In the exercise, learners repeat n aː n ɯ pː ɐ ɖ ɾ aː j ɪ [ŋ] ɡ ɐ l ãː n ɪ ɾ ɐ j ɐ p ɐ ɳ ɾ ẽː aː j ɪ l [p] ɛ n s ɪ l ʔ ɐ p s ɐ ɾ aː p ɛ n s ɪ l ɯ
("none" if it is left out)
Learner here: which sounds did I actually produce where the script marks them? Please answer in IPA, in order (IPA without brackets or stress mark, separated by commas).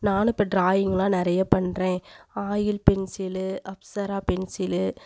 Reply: ŋ, p